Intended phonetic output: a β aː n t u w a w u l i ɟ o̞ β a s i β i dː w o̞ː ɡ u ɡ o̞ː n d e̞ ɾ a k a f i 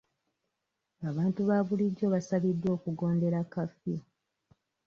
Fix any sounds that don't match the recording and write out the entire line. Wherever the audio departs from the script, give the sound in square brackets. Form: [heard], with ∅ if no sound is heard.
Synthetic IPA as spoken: a β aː n t u [β] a [β] u l i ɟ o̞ β a s [a] β i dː w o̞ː [k] u ɡ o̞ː n d e̞ ɾ a k a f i